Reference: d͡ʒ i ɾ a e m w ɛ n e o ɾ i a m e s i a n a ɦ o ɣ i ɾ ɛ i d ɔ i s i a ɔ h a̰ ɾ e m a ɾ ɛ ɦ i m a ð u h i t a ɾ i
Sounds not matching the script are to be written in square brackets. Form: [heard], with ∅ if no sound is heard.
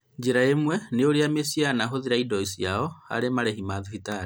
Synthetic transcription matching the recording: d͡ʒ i ɾ a e m w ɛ n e o ɾ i a m e s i a n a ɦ o [ð] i ɾ [a] i d ɔ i s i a ɔ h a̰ ɾ e m a ɾ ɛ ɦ i m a ð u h i t a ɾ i